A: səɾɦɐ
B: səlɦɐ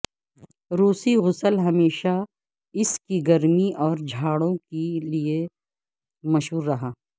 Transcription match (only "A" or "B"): B